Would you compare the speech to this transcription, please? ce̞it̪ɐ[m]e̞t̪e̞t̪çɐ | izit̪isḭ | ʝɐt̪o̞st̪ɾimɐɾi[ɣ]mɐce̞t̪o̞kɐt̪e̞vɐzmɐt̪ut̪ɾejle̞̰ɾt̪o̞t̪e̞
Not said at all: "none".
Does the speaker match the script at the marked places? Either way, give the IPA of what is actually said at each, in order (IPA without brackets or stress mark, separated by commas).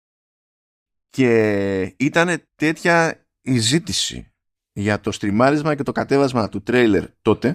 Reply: n, z